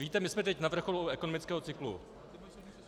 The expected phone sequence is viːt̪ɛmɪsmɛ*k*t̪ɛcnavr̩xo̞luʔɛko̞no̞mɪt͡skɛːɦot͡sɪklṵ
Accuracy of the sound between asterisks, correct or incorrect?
incorrect